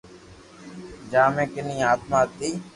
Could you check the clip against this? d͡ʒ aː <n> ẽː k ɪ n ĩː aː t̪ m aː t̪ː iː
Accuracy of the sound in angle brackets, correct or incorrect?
incorrect